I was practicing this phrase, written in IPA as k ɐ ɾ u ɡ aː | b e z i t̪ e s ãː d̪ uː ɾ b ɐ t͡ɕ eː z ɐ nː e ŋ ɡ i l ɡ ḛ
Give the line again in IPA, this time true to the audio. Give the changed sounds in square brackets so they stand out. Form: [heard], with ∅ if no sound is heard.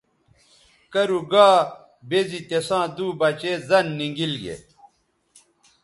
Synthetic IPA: k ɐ ɾ u ɡ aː | b e z i t̪ e s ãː d̪ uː [∅] b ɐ t͡ɕ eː z ɐ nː [i] ŋ ɡ i l ɡ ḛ